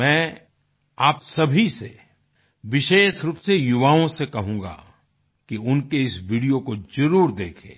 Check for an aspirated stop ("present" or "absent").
present